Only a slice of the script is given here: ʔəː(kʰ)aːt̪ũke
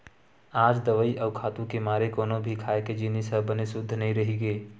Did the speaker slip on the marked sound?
no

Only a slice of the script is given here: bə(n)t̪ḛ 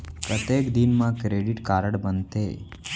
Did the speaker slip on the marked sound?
no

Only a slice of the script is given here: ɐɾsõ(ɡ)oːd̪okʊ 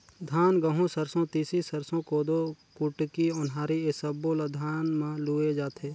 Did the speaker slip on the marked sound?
yes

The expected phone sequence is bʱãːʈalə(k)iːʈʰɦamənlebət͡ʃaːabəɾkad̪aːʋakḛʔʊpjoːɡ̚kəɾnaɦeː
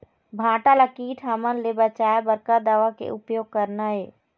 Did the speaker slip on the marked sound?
no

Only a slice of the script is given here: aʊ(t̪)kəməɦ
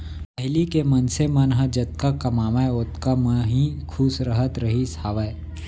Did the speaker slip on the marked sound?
no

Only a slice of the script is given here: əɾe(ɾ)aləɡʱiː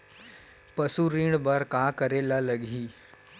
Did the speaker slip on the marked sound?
yes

